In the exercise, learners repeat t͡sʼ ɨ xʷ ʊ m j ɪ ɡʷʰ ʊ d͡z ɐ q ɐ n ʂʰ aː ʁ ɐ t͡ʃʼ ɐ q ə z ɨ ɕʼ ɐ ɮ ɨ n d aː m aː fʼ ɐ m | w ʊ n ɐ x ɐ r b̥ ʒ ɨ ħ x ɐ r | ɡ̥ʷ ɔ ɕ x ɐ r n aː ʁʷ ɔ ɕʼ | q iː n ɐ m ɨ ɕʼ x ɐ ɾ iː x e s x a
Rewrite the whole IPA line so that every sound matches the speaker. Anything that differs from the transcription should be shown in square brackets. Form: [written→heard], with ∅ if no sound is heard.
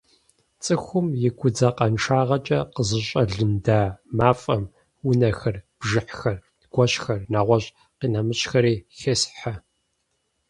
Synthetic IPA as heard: t͡sʼ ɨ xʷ ʊ m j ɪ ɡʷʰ ʊ d͡z ɐ q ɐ n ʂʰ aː ʁ ɐ t͡ʃʼ ɐ q ə z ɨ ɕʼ ɐ ɮ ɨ n d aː m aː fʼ ɐ m | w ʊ n ɐ x ɐ r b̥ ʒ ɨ ħ x ɐ r | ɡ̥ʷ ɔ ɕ x ɐ r n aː ʁʷ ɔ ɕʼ | q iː n ɐ m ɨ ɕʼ x ɐ ɾ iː x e s [x→ħ] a